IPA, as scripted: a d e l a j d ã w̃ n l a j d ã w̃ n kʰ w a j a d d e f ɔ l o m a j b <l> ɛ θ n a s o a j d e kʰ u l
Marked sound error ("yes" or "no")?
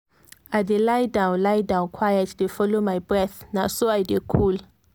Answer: yes